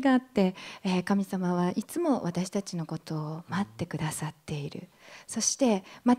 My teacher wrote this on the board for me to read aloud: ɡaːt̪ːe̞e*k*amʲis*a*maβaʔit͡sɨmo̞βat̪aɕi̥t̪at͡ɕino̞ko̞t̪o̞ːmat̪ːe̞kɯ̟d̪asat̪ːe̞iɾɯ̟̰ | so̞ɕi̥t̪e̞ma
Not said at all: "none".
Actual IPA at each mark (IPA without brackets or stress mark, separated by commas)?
k, a